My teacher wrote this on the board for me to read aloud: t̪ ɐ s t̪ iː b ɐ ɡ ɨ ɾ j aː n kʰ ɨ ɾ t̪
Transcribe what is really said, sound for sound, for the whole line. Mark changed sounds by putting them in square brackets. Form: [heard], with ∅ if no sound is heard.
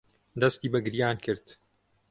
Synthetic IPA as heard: [d̪] ɐ s t̪ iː b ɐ ɡ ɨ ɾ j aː n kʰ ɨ ɾ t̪

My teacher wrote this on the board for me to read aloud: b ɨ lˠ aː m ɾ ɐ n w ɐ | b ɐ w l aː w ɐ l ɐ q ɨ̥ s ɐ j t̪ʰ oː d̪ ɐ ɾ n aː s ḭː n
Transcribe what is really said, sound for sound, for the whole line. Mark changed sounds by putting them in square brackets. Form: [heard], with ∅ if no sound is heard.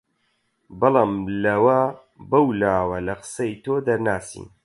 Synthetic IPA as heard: b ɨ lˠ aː m [l] ɐ [∅] w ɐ | b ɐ w l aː w ɐ l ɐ q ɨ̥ s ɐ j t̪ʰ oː d̪ ɐ ɾ n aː s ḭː n

